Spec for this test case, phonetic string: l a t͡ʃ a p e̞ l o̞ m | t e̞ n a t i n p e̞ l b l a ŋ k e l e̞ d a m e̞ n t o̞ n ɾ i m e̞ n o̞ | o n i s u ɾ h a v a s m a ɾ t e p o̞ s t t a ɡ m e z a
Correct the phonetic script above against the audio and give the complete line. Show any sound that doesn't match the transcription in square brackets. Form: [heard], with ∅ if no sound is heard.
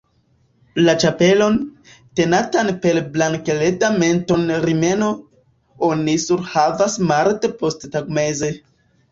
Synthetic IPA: l a t͡ʃ a p e̞ l o̞ [n] | t e̞ n a t [a] n p e̞ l b l a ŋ k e l e̞ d a m e̞ n t o̞ n ɾ i m e̞ n o̞ | o n i s u ɾ h a v a s m a ɾ t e p o̞ s t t a ɡ m e z [e]

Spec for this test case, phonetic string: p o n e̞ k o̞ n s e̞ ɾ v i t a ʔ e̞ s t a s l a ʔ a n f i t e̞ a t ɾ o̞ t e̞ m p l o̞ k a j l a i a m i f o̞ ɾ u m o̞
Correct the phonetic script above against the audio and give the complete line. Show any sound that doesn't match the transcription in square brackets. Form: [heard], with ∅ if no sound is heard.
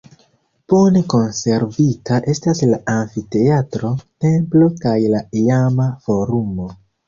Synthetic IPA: p o n e̞ k o̞ n s e̞ ɾ v i t a ʔ e̞ s t a s l a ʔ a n f i t e̞ a t ɾ o̞ t e̞ m p l o̞ k a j l a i a m [a] f o̞ ɾ u m o̞

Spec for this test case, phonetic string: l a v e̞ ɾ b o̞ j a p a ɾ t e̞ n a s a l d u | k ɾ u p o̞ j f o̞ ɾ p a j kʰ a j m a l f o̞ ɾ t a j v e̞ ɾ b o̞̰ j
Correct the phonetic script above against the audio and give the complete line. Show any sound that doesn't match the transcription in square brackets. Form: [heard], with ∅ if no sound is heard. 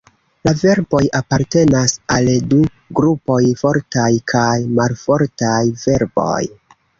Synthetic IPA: l a v e̞ ɾ b o̞ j a p a ɾ t e̞ n a s a l d u | [ɡ] ɾ u p o̞ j f o̞ ɾ [t] a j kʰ a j m a l f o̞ ɾ t a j v e̞ ɾ b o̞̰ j

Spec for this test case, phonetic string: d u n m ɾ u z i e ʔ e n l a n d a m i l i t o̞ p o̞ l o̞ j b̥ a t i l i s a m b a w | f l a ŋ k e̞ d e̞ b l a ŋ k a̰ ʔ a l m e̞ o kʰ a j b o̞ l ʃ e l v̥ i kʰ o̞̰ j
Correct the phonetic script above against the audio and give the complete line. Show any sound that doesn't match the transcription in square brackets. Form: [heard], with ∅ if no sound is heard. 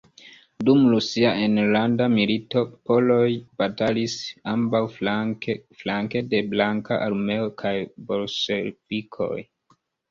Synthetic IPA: d u [∅] m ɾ u [s] i [a] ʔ e n l a n d a m i l i t o̞ p o̞ l o̞ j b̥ a t [a] l i s a m b a w | f l a ŋ k e̞ d e̞ b l a ŋ k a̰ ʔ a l m e̞ o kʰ a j b o̞ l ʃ e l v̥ i kʰ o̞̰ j

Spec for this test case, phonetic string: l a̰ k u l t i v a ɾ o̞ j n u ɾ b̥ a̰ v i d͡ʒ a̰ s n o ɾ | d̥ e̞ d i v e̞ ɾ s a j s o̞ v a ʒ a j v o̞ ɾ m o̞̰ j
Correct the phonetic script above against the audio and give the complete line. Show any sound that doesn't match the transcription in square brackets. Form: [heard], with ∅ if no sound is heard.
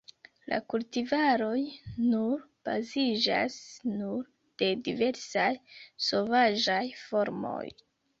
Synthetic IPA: l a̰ k u l t i v a ɾ o̞ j n u ɾ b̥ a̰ [z] i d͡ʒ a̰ s n [u] ɾ | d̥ e̞ d i v e̞ ɾ s a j s o̞ v a ʒ a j [f] o̞ ɾ m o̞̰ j

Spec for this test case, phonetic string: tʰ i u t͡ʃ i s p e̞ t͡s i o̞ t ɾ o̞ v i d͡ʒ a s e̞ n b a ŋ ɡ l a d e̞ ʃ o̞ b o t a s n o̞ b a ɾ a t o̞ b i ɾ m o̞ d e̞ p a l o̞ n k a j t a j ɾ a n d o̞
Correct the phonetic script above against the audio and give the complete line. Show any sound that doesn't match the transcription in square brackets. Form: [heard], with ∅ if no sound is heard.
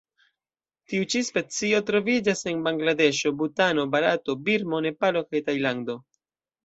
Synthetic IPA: [t] i u t͡ʃ i s p e̞ t͡s i o̞ t ɾ o̞ v i d͡ʒ a s e̞ n b a ŋ ɡ l a d e̞ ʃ o̞ b [u] t a [∅] n o̞ b a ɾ a t o̞ b i ɾ m o̞ [n] e̞ p a l o̞ [∅] k a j t a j [l] a n d o̞

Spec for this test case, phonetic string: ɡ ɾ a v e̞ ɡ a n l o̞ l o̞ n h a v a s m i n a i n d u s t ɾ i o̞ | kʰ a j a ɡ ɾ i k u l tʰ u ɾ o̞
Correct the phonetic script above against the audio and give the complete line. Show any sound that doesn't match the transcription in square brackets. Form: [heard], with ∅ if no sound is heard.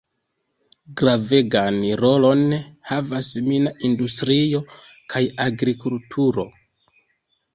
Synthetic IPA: ɡ ɾ a v e̞ ɡ a n [ɾ] o̞ l o̞ n h a v a s m i n a i n d u s t ɾ i o̞ | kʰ a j a ɡ ɾ i k u l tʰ u ɾ o̞

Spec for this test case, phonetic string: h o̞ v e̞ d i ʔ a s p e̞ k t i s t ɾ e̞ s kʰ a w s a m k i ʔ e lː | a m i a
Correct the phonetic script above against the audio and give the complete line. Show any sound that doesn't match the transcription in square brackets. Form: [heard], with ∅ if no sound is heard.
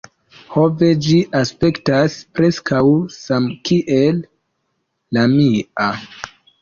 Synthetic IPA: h o̞ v e̞ [d͡ʒ] i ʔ a s p e̞ k t [a] s [p] ɾ e̞ s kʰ a w s a m k i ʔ e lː | a m i a

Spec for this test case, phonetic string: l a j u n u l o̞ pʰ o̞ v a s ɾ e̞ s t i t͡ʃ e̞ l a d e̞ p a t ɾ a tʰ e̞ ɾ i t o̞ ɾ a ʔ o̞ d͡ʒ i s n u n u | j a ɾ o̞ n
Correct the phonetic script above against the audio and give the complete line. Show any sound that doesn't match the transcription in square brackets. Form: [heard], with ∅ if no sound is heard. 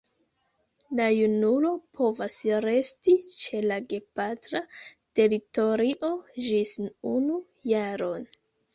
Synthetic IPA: l a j u n u l o̞ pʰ o̞ v a s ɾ e̞ s t i t͡ʃ e̞ l a [ɡ] e̞ p a t ɾ a [t] e̞ ɾ i t o̞ ɾ [i] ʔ o̞ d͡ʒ i s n u n u | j a ɾ o̞ n

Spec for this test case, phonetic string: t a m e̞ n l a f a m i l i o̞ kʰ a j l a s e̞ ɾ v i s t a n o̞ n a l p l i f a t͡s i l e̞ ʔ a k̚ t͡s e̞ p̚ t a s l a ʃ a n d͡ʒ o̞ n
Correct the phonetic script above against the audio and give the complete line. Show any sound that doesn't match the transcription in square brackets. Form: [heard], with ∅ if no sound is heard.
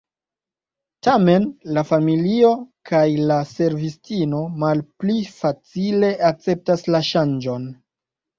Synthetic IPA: t a m e̞ n l a f a m i l i o̞ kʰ a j l a s e̞ ɾ v i s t [i] n o̞ [m] a l p l i f a t͡s i l e̞ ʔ a k̚ t͡s e̞ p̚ t a s l a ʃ a n d͡ʒ o̞ n

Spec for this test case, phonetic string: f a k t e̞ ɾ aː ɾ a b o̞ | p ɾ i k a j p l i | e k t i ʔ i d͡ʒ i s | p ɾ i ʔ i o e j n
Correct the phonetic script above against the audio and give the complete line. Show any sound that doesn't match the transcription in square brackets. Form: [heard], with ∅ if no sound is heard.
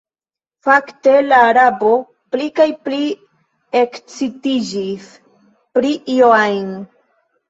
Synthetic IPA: f a k t e̞ [l] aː ɾ a b o̞ | p [l] i k a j p l i | e k [t͡s] i [t] i d͡ʒ i s | p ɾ i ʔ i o [a] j n

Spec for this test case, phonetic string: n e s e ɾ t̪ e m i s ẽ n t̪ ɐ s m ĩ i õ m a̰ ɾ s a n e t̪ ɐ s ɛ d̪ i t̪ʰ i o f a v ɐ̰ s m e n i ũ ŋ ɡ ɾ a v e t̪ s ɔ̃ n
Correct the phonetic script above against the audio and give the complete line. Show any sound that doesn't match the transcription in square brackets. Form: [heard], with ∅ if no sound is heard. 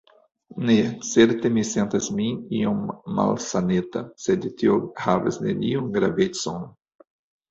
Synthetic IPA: n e s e ɾ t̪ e m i s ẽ n t̪ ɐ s m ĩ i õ m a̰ [l] s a n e t̪ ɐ s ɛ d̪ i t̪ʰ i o [h] a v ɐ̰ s [n] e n i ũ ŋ ɡ ɾ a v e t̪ s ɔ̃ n

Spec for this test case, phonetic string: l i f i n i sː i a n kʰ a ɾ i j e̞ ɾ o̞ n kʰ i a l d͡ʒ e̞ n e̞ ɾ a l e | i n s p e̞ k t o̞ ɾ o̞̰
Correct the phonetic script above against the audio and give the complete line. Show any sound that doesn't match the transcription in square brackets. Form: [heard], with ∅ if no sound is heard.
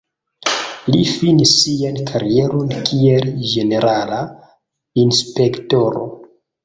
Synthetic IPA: l i f i n i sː i a n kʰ a ɾ i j e̞ ɾ o̞ n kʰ i [e] l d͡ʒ e̞ n e̞ ɾ a l [a] | i n s p e̞ k t o̞ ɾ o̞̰

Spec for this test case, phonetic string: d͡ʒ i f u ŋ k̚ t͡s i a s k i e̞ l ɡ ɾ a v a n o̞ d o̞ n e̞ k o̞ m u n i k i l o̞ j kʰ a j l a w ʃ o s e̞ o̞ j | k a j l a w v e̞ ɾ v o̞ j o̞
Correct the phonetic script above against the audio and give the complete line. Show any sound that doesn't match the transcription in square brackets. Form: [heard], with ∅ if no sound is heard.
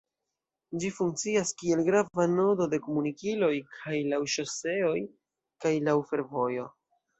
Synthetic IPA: d͡ʒ i f u ŋ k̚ t͡s i a s k i e̞ l ɡ ɾ a v a n o̞ d o̞ [d] e̞ k o̞ m u n i k i l o̞ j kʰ a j l a w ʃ o s e̞ o̞ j | k a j l a w [f] e̞ ɾ v o̞ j o̞

